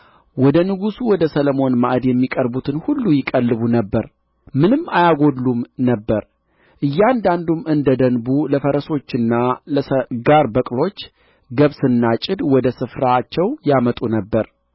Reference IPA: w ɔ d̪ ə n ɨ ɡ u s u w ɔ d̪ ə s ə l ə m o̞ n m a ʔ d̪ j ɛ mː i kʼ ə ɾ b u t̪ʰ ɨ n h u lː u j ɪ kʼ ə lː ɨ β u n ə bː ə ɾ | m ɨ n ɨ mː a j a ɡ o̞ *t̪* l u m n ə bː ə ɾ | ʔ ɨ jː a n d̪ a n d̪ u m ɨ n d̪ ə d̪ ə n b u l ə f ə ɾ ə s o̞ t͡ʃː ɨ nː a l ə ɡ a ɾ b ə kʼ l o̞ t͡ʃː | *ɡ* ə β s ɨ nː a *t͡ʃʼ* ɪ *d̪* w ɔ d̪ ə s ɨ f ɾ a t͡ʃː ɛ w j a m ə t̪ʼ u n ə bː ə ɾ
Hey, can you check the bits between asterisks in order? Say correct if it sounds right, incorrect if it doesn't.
incorrect, correct, correct, correct

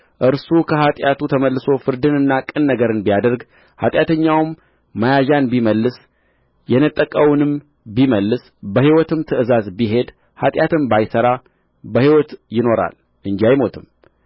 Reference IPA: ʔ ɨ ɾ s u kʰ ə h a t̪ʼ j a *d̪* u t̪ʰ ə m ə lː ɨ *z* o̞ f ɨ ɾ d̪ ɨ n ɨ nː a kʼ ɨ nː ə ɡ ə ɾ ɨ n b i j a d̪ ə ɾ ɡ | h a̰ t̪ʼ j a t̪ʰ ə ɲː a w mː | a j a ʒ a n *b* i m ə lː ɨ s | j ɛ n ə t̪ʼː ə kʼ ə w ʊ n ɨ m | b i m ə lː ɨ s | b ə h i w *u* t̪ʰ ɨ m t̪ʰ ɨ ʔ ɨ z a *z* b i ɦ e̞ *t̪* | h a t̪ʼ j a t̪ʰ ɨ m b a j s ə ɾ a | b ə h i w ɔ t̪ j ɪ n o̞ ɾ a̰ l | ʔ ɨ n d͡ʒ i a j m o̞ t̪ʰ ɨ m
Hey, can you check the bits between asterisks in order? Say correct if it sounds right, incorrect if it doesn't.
incorrect, incorrect, correct, incorrect, correct, incorrect

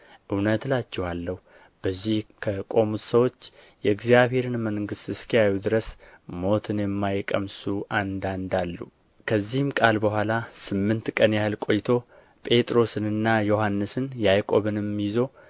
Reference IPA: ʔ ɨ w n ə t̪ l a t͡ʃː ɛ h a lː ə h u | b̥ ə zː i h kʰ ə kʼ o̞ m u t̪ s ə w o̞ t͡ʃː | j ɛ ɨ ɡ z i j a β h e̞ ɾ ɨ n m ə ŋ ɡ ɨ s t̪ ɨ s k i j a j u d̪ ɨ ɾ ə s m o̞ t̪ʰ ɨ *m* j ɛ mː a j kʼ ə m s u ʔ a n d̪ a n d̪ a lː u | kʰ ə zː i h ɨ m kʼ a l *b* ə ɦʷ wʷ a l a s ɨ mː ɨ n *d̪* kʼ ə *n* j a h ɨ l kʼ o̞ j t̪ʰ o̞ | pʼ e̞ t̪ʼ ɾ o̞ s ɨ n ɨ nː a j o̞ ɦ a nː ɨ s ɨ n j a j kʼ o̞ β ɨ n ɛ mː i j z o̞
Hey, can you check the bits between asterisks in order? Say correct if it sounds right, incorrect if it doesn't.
incorrect, correct, incorrect, correct

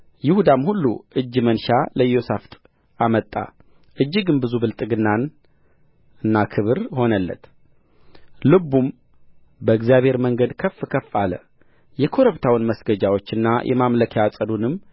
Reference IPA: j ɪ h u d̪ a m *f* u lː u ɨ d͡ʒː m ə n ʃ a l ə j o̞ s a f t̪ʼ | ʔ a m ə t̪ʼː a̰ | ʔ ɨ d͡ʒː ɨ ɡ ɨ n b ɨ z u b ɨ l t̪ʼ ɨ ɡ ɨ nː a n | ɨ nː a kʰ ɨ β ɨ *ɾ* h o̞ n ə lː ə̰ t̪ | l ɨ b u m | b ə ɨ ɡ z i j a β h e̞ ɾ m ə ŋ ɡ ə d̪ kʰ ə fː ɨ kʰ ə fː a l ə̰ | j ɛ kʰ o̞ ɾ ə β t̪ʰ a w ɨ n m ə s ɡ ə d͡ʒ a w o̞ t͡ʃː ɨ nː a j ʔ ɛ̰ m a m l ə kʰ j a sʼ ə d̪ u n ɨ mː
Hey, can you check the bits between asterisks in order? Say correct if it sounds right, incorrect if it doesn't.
incorrect, correct

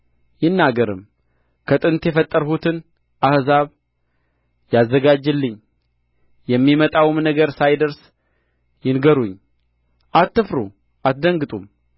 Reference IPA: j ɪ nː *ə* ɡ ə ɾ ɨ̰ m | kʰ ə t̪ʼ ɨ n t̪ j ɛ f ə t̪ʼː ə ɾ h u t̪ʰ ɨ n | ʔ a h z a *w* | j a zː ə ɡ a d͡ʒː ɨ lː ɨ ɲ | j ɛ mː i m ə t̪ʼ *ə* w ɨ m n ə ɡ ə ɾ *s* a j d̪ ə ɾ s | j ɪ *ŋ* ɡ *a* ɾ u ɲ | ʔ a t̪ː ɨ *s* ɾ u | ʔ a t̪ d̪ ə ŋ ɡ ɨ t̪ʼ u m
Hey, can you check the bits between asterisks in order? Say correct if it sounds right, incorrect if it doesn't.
incorrect, incorrect, incorrect, correct, incorrect, incorrect, incorrect

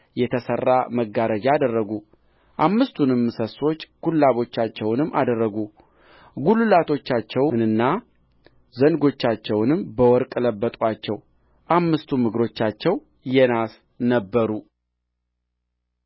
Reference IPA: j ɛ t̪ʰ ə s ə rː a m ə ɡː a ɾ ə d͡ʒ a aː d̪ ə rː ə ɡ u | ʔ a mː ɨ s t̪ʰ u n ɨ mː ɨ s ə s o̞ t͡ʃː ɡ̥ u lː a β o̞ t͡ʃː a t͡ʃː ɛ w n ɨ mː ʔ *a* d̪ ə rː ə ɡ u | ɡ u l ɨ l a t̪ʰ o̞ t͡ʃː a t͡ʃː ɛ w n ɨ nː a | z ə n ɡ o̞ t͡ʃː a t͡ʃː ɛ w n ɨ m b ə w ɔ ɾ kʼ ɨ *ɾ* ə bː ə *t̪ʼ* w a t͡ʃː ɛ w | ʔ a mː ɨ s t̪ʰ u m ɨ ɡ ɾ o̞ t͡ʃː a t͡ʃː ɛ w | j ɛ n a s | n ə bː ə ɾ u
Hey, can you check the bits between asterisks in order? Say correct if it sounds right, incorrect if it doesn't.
correct, incorrect, correct

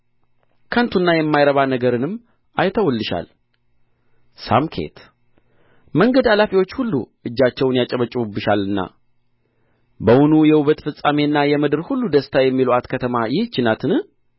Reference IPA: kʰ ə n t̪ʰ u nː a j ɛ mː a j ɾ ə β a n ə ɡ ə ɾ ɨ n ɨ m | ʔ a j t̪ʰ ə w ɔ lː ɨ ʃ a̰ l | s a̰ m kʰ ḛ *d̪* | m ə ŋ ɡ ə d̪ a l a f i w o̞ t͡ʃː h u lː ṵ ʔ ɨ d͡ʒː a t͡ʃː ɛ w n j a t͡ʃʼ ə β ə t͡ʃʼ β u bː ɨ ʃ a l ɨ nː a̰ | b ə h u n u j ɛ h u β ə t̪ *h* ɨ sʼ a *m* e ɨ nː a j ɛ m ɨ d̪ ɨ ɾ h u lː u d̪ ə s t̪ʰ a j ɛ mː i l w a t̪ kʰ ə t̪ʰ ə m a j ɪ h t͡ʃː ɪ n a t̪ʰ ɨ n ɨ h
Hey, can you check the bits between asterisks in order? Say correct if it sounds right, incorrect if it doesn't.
incorrect, incorrect, correct

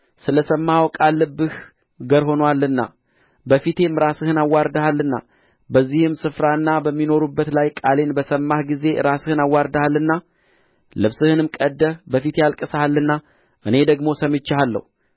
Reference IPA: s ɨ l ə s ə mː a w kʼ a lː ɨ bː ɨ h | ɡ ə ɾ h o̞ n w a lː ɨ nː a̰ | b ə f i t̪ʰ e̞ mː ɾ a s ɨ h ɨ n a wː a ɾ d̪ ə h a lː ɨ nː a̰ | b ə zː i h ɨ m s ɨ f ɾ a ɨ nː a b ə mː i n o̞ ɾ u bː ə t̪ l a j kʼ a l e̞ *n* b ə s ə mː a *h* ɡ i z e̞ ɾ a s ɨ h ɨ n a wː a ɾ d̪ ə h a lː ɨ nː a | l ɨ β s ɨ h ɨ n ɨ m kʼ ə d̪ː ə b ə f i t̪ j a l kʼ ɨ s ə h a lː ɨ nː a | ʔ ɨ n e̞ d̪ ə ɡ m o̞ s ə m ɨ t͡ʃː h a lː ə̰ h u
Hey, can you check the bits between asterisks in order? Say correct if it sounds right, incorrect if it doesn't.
correct, correct

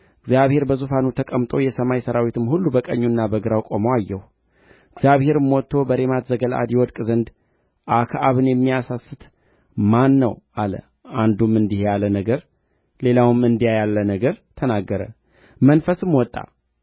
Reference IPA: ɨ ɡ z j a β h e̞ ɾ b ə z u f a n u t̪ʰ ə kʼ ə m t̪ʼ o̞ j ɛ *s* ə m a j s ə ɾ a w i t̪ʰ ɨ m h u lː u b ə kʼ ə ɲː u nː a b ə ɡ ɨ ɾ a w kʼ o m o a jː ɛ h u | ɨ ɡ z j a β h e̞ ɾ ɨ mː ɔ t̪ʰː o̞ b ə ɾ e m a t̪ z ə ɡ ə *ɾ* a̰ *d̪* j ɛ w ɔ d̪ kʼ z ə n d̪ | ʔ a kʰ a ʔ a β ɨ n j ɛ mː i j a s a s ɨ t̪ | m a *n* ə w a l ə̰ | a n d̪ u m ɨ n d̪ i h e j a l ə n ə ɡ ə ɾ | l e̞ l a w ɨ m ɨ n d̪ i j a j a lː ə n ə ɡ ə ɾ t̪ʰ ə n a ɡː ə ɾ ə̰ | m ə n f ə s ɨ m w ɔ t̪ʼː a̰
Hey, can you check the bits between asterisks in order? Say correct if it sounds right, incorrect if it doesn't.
correct, incorrect, correct, incorrect

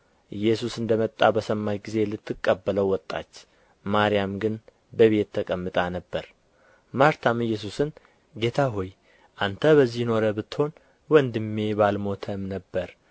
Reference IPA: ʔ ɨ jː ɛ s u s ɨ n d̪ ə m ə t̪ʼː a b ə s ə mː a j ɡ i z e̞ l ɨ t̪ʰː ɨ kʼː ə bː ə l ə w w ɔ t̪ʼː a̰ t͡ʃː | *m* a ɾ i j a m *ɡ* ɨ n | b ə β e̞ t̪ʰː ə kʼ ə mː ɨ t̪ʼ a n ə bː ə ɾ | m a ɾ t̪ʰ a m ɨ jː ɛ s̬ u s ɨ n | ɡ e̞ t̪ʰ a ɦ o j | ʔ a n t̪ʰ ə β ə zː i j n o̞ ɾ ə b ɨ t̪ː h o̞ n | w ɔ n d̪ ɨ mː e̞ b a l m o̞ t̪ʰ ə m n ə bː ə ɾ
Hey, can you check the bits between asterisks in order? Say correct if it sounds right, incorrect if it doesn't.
correct, correct

